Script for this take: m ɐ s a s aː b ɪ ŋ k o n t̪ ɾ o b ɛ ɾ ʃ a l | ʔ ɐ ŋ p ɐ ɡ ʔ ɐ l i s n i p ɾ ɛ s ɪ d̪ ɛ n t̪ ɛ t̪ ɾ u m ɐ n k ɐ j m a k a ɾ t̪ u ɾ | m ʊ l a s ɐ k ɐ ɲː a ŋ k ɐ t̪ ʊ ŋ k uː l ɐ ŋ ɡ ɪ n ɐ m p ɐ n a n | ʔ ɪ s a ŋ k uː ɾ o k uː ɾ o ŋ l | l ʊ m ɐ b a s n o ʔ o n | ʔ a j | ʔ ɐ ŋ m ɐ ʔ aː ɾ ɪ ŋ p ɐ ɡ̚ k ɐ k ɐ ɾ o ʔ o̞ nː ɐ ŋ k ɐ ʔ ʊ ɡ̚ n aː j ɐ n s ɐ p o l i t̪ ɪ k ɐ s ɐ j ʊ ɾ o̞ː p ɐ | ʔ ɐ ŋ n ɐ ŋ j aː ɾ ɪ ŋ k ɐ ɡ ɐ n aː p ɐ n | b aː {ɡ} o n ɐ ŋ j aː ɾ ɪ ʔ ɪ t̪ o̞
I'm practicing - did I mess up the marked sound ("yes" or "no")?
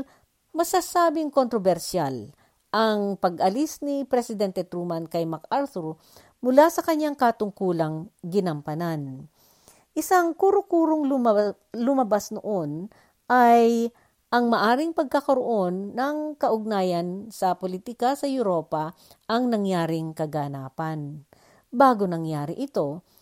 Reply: no